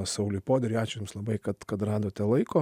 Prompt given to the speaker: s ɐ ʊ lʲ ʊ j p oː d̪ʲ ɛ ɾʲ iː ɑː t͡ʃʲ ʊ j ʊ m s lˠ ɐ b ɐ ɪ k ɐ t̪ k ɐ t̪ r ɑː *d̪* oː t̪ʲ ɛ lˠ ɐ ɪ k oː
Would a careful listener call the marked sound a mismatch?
no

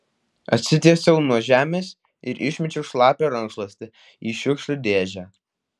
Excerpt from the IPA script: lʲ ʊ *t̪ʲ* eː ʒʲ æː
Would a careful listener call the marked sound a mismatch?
yes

